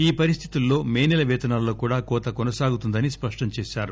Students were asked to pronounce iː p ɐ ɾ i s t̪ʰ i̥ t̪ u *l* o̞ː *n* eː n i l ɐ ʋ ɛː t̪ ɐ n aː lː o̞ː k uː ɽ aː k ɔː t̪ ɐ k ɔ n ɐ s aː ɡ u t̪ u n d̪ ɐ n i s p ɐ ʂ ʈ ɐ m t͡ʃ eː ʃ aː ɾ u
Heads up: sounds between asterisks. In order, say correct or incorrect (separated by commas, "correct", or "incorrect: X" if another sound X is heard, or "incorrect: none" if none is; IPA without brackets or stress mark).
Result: incorrect: lː, incorrect: m